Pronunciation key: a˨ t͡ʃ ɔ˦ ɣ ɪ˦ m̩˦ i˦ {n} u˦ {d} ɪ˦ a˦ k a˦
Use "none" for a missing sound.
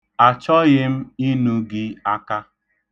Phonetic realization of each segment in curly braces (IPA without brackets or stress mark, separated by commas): n, ɡ